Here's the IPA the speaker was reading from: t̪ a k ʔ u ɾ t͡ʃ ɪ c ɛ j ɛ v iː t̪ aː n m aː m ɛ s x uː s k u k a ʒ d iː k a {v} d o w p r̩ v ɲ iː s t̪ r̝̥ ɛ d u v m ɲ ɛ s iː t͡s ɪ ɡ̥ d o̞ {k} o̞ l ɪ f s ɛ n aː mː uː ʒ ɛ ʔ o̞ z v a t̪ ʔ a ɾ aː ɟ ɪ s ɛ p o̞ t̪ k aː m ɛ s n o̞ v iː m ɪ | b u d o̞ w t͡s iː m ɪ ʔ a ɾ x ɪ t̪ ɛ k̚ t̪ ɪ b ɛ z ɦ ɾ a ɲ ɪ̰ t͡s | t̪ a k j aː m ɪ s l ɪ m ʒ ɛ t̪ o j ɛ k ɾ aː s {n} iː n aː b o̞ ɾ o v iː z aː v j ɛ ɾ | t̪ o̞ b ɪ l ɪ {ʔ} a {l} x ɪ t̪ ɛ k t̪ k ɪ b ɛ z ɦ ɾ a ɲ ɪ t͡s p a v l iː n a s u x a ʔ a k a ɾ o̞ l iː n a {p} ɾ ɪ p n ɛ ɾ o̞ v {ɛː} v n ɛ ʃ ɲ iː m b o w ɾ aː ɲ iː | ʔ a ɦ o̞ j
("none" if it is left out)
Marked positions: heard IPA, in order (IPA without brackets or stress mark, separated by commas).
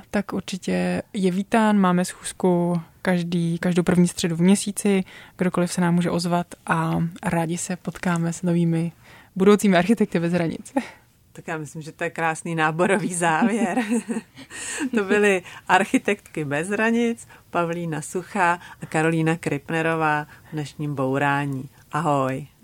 ʒ, k, n, ʔ, ɾ, k, aː